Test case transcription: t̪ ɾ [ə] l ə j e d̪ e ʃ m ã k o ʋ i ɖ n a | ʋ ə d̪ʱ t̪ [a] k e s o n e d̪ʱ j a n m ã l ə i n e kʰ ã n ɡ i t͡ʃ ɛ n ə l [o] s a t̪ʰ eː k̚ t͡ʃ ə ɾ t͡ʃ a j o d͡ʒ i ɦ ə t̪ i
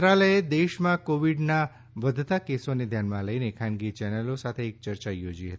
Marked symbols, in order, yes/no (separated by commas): no, yes, yes